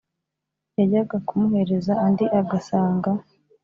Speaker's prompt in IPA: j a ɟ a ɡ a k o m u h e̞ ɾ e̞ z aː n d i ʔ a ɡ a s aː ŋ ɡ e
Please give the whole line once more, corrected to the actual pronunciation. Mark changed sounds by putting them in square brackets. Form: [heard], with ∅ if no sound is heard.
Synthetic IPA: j a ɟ a ɡ a k [u] m u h e̞ ɾ e̞ z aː n d i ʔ a ɡ a s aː ŋ ɡ [a]